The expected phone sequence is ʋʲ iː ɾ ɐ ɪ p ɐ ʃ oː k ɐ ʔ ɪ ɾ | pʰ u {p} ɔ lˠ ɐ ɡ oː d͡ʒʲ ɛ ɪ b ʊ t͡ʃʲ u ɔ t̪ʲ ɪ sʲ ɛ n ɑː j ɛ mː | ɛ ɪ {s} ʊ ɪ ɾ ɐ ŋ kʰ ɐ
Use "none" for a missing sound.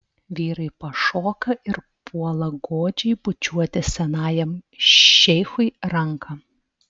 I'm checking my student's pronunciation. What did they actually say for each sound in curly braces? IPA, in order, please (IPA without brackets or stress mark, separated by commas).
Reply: none, x